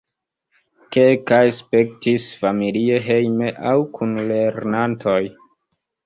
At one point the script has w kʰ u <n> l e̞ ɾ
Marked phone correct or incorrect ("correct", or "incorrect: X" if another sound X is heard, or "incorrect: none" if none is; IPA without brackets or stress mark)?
correct